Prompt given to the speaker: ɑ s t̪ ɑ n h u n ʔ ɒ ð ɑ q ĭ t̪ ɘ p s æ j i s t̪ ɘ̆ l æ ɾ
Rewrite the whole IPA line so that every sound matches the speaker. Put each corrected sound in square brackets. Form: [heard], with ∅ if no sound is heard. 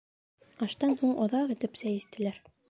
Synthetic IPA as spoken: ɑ [ʃ] t̪ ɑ n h u [ɴ] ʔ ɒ ð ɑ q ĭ t̪ ɘ p s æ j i s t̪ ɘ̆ l æ ɾ

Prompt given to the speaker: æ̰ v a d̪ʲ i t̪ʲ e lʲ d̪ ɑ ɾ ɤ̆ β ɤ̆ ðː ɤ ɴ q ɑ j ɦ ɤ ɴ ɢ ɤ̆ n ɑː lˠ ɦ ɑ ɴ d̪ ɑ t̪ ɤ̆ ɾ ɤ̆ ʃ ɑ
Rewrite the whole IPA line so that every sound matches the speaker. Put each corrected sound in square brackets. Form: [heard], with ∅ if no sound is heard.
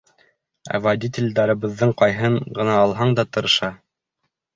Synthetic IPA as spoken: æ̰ v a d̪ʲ i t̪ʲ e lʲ d̪ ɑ ɾ ɤ̆ β ɤ̆ ðː ɤ ɴ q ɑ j ɦ ɤ ɴ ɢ ɤ̆ n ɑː lˠ ɦ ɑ ɴ d̪ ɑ t̪ ɤ̆ ɾ ɤ̆ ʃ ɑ

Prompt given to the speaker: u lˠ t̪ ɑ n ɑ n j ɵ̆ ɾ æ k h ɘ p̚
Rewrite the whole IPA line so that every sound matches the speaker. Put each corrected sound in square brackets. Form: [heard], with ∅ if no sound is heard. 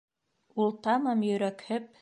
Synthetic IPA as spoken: u lˠ t̪ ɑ [m] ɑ [m] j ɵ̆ ɾ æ k h ɘ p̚

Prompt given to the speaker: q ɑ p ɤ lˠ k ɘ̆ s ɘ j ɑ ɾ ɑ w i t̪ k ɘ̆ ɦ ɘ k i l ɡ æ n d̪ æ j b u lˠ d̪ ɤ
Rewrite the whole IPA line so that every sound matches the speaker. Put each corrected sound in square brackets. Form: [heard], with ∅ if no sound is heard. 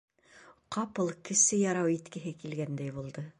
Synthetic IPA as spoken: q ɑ p ɤ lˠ k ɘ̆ s ɘ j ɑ ɾ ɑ w i t̪ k ɘ̆ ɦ ɘ k i l ɡ æ n d̪ æ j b u lˠ d̪ ɤ

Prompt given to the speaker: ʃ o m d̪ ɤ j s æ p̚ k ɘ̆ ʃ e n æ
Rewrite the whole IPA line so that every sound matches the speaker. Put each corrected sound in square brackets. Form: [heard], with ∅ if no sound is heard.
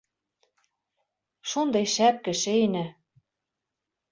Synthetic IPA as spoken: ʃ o [n] d̪ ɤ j [ʃ] æ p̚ k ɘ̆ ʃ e n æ

